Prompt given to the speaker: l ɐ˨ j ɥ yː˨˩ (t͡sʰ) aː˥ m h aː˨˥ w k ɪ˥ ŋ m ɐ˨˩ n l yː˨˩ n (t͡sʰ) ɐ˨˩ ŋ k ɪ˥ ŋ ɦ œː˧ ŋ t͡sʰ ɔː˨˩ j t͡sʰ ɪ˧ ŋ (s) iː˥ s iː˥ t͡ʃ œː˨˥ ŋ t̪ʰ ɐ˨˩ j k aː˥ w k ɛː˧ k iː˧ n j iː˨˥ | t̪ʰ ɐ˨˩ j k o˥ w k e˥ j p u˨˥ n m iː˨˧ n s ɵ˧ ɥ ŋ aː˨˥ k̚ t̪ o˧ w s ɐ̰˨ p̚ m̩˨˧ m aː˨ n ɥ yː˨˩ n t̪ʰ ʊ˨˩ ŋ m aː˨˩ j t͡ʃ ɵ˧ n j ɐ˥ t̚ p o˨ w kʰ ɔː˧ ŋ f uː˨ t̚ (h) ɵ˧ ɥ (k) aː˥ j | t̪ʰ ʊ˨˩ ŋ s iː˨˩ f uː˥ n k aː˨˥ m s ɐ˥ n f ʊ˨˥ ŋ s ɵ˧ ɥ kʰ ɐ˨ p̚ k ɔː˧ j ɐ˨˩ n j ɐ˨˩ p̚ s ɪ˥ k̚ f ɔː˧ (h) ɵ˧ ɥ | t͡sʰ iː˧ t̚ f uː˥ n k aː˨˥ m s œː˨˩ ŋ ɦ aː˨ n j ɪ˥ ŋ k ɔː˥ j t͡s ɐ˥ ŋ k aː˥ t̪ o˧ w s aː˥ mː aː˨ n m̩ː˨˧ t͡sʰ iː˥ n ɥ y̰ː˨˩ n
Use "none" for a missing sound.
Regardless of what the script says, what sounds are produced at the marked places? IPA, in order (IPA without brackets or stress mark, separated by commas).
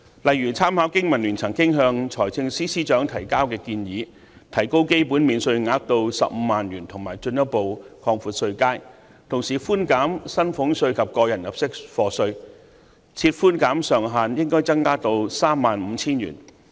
t͡sʰ, t͡sʰ, s, s, k, s